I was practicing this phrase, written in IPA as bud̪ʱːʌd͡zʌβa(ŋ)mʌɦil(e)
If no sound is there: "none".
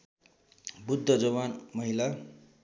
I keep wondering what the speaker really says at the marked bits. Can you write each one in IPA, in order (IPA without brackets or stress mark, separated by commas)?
n, a